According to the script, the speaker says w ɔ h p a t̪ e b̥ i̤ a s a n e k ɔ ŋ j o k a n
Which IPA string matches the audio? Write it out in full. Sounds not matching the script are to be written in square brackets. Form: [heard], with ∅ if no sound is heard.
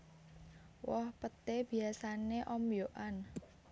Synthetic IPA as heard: w ɔ h p [ə] t̪ e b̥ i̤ a s a n e [ʔ] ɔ [m] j o [ʔ] a n